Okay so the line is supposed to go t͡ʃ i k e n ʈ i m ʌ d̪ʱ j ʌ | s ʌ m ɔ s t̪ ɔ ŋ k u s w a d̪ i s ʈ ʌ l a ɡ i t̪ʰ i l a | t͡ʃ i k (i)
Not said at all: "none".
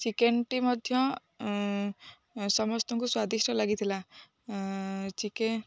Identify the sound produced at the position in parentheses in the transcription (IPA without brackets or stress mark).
e